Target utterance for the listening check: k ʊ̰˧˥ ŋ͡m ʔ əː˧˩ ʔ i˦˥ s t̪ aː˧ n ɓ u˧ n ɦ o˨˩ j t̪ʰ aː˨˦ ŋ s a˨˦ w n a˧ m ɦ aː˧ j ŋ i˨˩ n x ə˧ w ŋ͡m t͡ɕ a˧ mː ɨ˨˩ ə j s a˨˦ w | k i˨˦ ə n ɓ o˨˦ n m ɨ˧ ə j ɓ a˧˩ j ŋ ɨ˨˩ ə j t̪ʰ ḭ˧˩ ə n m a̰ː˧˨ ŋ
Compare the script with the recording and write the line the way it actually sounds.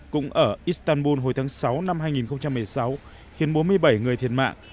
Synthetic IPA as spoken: k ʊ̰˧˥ ŋ͡m ʔ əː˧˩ ʔ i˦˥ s t̪ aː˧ n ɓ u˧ n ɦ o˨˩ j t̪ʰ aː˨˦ ŋ s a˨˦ w n a˧ m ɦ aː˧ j ŋ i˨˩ n x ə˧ w ŋ͡m t͡ɕ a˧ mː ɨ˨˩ ə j s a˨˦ w | x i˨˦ ə n ɓ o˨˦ n m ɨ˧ ə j ɓ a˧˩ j ŋ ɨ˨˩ ə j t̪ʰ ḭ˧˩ ə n m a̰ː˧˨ ŋ

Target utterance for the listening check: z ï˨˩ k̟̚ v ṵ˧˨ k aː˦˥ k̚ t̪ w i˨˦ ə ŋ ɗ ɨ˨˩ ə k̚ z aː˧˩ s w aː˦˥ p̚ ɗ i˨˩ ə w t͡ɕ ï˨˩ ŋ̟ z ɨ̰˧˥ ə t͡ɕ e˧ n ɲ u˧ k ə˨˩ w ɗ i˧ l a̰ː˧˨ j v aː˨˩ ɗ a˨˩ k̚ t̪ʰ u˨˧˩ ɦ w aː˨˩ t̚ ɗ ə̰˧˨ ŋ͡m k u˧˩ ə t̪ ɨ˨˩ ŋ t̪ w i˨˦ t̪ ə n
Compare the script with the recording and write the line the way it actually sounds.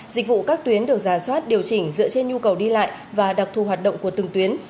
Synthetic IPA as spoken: z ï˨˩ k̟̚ v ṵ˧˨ k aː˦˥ k̚ t̪ w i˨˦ ə n ɗ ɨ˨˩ ə k̚ z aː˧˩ s w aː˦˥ t̚ ɗ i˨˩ ə w t͡ɕ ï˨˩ ŋ̟ z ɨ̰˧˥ ə t͡ɕ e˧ n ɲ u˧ k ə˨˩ w ɗ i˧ l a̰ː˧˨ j v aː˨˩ ɗ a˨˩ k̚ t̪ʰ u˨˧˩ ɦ w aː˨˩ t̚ ɗ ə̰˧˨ ŋ͡m k u˧˩ ə t̪ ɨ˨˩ ŋ t̪ w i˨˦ ə n

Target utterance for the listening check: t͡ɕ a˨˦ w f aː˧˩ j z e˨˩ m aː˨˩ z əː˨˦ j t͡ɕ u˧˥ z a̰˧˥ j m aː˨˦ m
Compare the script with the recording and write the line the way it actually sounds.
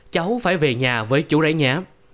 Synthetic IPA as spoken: t͡ɕ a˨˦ w f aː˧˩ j v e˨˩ ɲ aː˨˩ v əː˨˦ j t͡ɕ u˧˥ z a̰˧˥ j ɲ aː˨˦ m

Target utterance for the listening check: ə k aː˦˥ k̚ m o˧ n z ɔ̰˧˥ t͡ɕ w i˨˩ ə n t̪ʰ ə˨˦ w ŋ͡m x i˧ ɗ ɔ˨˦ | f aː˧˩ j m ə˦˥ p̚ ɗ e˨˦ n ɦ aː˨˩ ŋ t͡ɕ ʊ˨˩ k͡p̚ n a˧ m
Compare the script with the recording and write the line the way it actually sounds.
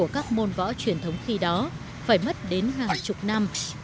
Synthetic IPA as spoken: ə k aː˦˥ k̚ m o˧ n v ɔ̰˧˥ t͡ɕ w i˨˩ ə n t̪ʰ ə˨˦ w ŋ͡m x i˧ ɗ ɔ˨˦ | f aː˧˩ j m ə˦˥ t̚ ɗ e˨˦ n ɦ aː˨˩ ŋ t͡ɕ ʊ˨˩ k͡p̚ n a˧ m

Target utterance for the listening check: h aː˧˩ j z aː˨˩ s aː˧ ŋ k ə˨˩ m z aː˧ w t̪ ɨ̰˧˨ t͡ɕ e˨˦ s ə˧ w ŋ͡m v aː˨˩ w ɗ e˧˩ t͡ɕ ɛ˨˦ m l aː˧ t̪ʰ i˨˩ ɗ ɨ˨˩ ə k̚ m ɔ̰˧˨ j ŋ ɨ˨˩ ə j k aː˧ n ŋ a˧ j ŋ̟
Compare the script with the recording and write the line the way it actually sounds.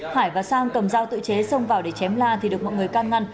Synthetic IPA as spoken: h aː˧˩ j v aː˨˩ s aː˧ ŋ k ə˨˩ m z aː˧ w t̪ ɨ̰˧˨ t͡ɕ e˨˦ s ə˧ w ŋ͡m v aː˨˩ w ɗ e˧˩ t͡ɕ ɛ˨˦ m l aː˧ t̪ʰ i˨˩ ɗ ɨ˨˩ ə k̚ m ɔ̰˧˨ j ŋ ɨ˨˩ ə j k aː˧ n ŋ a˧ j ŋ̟

